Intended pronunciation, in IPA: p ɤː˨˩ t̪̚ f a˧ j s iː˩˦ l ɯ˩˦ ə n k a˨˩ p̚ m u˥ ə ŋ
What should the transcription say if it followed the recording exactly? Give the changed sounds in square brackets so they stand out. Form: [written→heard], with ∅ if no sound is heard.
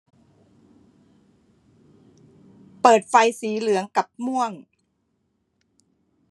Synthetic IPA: p ɤː˨˩ t̪̚ f a˧ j s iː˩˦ l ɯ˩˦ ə [n→ŋ] k a˨˩ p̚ m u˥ ə ŋ